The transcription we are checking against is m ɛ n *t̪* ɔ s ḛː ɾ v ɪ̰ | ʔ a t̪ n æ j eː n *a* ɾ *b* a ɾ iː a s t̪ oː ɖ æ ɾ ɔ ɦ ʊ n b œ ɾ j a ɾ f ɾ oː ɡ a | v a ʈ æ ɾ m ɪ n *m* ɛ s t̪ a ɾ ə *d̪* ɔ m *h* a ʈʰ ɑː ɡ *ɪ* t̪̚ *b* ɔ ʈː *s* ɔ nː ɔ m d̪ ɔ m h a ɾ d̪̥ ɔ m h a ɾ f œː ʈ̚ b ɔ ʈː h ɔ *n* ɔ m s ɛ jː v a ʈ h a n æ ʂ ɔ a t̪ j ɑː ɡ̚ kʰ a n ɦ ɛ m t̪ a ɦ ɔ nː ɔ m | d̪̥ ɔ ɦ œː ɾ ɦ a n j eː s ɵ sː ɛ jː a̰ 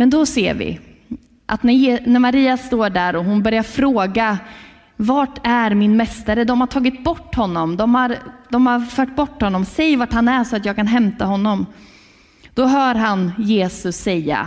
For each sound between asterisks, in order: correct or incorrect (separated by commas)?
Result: incorrect, incorrect, incorrect, correct, correct, correct, correct, correct, incorrect, incorrect